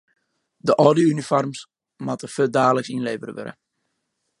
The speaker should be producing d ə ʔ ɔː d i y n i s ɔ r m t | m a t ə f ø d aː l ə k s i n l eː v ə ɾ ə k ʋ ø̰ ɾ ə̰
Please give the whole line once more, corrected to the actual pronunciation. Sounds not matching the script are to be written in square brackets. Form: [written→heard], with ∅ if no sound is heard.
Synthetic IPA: d ə ʔ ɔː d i y n i [s→f] ɔ r m [t→s] | m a t ə f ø d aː l ə k s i n l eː v ə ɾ ə [k→∅] ʋ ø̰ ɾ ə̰